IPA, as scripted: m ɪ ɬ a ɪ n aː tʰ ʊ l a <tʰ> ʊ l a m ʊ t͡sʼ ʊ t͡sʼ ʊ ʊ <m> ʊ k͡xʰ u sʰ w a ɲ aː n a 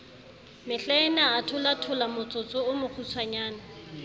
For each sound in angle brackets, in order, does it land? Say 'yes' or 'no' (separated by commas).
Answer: yes, yes